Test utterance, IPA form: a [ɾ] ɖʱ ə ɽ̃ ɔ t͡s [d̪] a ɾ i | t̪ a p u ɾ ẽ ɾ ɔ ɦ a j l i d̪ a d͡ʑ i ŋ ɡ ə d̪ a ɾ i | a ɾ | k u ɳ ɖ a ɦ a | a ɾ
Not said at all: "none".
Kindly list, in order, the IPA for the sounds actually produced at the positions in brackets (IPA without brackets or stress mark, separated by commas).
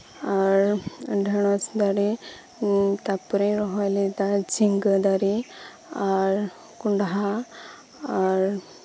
ɾ, d̪